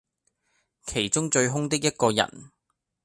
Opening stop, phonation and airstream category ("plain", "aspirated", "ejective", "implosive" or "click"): aspirated